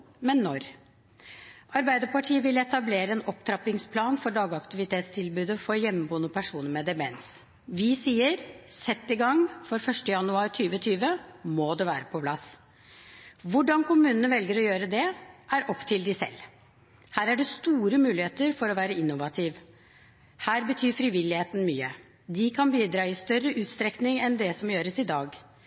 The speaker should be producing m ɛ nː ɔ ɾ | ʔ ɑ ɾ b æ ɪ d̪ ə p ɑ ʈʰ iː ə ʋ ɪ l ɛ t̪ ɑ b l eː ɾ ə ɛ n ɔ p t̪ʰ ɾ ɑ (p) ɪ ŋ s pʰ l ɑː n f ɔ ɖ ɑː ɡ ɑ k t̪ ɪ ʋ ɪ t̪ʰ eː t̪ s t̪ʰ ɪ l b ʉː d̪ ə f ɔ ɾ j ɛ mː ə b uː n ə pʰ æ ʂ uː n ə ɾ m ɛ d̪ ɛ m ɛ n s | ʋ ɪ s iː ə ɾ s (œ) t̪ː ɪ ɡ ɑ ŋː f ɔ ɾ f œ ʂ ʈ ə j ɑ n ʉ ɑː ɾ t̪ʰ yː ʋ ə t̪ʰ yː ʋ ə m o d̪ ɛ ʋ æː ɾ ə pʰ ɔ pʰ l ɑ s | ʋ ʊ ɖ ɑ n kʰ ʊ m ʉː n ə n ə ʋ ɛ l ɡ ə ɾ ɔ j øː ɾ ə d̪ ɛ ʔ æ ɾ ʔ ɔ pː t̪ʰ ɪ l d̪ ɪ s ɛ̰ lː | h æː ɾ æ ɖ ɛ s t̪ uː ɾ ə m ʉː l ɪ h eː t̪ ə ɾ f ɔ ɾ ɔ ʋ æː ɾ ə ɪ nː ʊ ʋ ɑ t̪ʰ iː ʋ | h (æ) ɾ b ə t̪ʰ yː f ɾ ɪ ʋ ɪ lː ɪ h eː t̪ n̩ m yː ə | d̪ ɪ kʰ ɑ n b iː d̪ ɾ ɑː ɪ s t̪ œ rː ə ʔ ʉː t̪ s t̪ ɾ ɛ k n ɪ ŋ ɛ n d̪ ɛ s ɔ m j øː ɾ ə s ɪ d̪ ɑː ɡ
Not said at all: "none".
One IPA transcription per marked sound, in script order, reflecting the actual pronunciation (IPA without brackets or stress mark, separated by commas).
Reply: p, ɛ, æː